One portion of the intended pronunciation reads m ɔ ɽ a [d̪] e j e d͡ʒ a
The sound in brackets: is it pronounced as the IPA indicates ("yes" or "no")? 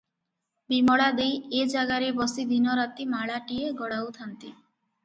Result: yes